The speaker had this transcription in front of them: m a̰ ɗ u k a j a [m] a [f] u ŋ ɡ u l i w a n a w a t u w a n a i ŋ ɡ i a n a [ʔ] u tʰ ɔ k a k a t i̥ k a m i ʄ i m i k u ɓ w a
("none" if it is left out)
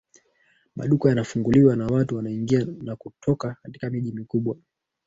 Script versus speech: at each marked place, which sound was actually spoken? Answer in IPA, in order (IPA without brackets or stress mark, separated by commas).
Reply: n, f, k